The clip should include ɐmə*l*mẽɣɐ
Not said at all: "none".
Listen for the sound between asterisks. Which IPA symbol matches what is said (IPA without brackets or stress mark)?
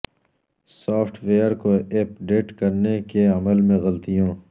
l